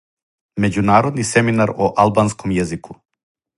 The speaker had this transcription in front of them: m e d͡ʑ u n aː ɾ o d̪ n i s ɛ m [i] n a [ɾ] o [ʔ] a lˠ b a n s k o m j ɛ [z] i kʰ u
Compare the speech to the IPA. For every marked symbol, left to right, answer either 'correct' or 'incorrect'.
correct, correct, correct, correct

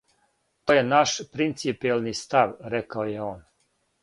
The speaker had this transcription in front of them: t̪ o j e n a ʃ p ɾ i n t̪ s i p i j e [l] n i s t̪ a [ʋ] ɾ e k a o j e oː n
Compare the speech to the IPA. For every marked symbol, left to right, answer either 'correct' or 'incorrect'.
correct, correct

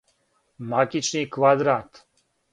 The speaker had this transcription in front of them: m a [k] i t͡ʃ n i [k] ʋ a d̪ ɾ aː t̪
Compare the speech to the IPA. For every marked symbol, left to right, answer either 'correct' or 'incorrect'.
correct, correct

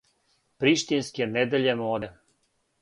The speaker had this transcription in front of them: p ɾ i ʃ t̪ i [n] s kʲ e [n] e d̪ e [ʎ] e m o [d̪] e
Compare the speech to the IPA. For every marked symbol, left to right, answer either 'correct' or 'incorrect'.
correct, correct, correct, correct

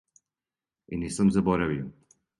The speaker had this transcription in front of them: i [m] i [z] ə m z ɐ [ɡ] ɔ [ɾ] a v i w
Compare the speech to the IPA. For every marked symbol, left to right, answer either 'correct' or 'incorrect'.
incorrect: n, incorrect: s, incorrect: b, correct

